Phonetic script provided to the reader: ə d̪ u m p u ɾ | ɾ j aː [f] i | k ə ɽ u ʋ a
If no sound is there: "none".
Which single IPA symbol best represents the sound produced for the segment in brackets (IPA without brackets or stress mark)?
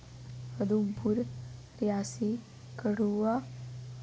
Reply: s